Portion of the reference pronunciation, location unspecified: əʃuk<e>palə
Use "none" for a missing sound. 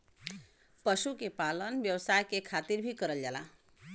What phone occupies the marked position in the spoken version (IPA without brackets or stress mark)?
e